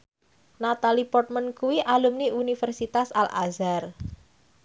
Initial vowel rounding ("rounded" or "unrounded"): unrounded